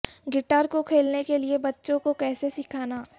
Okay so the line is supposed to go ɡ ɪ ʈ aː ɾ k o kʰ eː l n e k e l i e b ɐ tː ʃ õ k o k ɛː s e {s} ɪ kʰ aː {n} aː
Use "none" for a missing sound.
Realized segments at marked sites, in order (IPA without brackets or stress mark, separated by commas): s, n